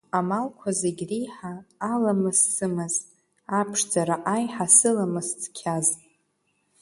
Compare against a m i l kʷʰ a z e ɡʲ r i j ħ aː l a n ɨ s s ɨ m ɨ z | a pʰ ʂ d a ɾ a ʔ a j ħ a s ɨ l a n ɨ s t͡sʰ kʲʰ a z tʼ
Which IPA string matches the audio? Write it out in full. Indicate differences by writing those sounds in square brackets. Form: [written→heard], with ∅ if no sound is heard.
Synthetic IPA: a m [i→a] l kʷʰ a z e ɡʲ r i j ħ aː l a [n→m] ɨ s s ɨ m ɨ z | a pʰ ʂ [d→d͡z] a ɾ a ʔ a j ħ a s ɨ l a [n→m] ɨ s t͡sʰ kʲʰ a z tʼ